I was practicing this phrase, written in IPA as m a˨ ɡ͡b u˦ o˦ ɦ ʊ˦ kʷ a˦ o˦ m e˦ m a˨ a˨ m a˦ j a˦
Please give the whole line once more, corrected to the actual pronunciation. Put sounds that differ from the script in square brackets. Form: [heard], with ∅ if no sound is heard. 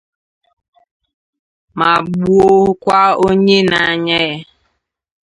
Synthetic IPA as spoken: m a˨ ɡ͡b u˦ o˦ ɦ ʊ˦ kʷ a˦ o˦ [ɲ] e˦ [n] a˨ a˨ [ɲ] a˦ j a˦